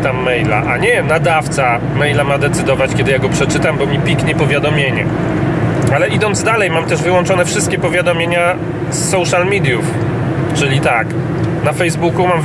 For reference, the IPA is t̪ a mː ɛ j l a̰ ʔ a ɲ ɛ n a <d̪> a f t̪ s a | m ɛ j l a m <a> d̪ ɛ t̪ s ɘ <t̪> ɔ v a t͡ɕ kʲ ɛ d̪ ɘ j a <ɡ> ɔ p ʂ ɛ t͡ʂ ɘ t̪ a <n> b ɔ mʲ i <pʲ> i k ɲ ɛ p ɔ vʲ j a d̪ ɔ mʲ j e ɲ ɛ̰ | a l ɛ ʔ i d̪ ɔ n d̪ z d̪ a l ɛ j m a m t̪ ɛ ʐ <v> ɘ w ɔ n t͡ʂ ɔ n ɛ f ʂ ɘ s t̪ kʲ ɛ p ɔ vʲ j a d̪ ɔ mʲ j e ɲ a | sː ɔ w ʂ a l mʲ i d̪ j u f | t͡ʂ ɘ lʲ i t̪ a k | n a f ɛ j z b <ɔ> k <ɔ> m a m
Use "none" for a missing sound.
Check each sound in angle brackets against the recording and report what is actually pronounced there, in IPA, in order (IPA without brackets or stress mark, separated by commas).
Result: d̪, a, d̪, ɡ, m, pʲ, v, u, u